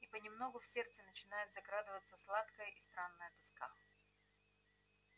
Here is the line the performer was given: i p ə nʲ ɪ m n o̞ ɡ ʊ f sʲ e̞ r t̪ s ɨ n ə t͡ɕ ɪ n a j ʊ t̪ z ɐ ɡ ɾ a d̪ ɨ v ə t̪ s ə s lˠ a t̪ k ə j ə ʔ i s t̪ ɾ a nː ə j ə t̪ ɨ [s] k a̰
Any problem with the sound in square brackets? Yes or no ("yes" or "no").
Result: no